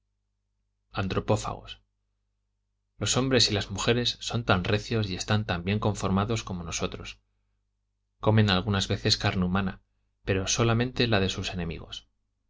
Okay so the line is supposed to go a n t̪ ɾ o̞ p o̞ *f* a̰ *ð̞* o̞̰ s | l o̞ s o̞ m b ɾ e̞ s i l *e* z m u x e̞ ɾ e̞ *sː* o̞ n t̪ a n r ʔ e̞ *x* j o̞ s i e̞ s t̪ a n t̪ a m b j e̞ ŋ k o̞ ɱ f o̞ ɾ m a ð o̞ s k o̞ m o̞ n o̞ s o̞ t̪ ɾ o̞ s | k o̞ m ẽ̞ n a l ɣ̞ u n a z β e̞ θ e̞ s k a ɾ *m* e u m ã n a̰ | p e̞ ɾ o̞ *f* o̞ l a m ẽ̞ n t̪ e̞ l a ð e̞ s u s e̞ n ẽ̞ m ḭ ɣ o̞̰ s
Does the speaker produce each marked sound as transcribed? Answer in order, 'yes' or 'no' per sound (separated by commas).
yes, no, no, yes, no, no, no